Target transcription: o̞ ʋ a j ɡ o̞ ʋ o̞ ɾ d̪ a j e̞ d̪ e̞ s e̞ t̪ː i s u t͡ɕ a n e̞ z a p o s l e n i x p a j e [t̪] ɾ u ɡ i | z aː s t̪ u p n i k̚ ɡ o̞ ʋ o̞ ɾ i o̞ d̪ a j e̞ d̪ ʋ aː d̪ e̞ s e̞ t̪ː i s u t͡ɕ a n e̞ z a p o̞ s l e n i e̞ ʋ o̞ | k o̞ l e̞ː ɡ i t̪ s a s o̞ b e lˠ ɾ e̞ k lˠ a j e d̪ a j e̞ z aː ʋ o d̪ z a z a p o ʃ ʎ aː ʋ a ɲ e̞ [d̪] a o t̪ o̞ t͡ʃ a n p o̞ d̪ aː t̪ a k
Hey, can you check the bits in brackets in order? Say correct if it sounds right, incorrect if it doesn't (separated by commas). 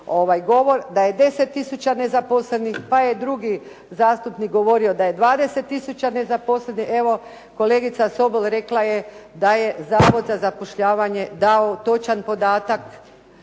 incorrect, correct